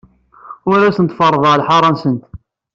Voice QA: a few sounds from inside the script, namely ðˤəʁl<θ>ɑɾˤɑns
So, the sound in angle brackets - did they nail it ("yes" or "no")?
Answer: no